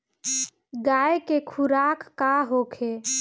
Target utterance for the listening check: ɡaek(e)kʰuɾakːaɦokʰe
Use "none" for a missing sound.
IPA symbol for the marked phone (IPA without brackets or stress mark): e